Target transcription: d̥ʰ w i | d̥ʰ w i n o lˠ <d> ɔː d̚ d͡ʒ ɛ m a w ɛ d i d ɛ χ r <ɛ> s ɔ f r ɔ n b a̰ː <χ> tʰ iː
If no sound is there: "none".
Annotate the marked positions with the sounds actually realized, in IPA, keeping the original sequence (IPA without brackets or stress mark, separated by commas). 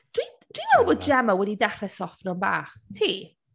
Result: b, ɛ, χ